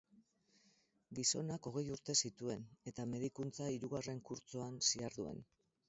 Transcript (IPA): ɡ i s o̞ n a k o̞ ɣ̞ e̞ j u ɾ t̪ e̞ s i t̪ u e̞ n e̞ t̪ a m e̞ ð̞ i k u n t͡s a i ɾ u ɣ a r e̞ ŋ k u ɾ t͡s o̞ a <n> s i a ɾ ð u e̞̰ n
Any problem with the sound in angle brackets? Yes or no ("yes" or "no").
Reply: no